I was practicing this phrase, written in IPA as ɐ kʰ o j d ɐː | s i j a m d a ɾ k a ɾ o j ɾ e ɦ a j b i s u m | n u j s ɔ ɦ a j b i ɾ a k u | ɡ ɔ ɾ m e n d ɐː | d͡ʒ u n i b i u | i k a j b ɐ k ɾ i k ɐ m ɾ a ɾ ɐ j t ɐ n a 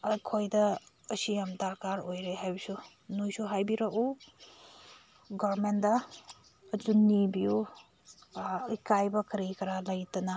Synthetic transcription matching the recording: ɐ kʰ o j d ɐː | s i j a m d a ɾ k a ɾ o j ɾ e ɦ a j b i s u | n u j s u ɦ a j b i ɾ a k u | ɡ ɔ ɾ m e n d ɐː | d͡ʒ u n i b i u | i k a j b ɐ k ɾ i k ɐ ɾ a l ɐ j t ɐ n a